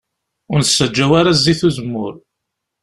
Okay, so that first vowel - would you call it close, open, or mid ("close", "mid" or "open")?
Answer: close